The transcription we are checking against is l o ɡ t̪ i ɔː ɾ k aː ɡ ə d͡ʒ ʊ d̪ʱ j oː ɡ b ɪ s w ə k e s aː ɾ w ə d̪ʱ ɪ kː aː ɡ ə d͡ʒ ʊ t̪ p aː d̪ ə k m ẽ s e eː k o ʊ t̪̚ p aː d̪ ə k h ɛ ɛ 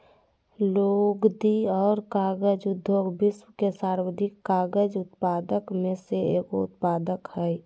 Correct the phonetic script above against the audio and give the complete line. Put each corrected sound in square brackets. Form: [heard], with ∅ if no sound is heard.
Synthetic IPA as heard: l o ɡ [d̪] i ɔː ɾ k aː ɡ ə d͡ʒ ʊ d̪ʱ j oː ɡ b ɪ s w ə k e s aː ɾ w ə d̪ʱ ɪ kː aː ɡ ə d͡ʒ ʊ t̪ p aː d̪ ə k m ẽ s e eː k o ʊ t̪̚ p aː d̪ ə k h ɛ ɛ